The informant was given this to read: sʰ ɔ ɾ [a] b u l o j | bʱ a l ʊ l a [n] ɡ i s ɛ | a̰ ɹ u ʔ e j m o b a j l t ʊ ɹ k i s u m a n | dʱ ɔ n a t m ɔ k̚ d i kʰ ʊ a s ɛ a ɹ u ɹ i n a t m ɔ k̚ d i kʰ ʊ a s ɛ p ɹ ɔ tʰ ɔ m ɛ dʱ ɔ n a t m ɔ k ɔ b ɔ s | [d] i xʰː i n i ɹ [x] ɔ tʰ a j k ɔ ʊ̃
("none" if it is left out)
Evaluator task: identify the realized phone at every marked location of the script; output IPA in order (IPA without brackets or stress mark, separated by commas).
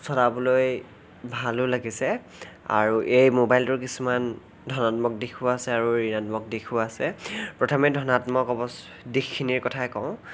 a, none, d, k